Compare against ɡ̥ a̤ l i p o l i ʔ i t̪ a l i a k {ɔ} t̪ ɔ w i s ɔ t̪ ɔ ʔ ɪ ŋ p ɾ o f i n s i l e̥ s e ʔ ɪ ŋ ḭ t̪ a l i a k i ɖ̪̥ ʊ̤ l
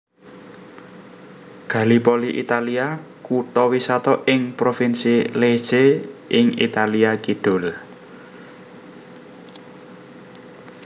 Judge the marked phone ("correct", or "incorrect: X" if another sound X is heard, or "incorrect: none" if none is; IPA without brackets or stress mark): incorrect: u